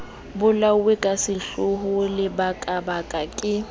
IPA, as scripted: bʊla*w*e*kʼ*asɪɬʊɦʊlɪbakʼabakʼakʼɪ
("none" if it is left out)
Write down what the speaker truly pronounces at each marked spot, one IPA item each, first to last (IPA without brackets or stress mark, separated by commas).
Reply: w, kʼ